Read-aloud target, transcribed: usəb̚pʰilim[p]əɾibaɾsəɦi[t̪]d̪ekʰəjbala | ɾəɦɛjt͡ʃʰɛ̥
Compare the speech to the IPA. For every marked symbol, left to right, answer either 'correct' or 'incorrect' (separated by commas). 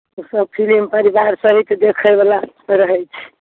correct, correct